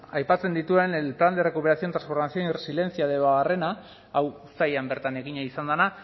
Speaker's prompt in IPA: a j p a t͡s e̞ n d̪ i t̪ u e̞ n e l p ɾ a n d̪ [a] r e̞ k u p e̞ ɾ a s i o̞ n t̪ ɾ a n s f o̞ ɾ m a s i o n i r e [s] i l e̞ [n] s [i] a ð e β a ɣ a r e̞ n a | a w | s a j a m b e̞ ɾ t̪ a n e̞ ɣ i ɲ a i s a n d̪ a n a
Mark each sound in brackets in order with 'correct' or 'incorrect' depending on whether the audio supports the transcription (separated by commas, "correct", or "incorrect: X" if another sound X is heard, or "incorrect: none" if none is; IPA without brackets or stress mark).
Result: incorrect: e, correct, correct, correct